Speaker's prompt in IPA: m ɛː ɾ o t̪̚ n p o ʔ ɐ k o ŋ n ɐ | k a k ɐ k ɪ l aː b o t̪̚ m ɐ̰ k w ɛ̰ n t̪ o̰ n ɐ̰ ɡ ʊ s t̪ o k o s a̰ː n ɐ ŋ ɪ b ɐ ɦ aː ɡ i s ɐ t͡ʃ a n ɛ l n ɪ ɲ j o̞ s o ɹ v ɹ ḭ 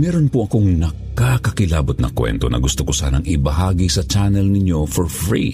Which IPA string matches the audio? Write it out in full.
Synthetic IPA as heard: m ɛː ɾ o n p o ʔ ɐ k o ŋ n ɐ | k a k ɐ k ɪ l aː b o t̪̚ n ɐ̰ k w ɛ̰ n t̪ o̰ n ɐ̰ ɡ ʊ s t̪ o k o s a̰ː n ɐ ŋ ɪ b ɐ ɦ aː ɡ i s ɐ t͡ʃ a n ɛ l n ɪ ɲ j o̞ f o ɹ f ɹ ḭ